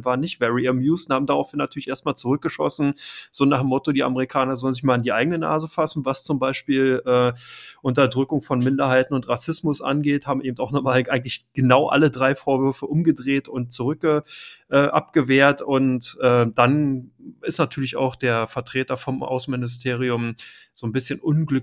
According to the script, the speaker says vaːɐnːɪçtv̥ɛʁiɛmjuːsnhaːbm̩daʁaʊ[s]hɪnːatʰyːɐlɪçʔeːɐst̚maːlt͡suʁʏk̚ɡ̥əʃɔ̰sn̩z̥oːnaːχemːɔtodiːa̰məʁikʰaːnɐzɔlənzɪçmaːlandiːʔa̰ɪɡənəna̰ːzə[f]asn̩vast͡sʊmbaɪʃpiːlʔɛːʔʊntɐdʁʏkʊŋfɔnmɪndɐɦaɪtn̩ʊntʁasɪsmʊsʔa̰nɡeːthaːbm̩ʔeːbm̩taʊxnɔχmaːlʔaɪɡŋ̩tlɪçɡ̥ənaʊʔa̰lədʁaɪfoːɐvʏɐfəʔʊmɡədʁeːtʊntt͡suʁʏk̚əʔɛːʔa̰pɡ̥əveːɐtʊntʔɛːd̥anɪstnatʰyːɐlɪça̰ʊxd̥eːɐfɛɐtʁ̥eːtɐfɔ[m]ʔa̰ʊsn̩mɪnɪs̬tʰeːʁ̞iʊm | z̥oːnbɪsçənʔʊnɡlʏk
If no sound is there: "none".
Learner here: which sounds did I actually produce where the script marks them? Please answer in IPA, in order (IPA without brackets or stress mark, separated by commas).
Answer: f, f, m